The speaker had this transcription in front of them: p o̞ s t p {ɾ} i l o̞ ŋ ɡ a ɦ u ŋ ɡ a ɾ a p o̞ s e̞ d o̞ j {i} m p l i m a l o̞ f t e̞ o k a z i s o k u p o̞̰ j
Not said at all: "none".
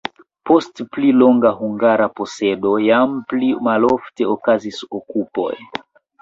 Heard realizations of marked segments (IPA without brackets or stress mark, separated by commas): l, a